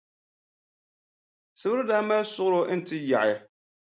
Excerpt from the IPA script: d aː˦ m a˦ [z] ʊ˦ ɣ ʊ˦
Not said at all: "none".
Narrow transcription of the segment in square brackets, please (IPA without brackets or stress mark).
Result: s